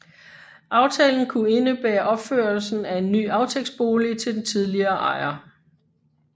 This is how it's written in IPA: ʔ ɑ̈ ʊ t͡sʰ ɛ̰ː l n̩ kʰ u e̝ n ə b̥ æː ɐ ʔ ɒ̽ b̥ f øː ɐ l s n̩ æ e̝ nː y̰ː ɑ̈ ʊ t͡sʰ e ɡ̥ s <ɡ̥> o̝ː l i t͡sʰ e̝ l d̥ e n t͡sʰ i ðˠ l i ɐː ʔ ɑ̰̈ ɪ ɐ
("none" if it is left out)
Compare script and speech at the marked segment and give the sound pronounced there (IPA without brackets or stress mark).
b̥